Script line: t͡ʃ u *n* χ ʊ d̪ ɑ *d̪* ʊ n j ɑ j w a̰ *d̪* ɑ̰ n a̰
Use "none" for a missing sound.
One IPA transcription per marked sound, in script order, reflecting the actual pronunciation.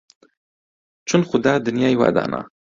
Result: n, d̪, d̪

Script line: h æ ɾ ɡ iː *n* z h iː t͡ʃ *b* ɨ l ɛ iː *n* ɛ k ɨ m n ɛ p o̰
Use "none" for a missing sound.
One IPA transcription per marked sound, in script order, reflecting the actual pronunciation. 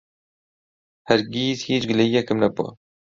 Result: none, ɡ, none

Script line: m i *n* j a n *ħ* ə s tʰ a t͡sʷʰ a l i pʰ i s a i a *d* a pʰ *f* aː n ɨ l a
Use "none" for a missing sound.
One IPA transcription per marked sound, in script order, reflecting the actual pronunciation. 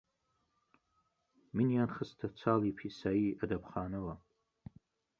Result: n, χ, d, χ

